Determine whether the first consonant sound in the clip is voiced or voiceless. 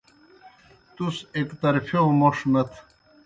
voiceless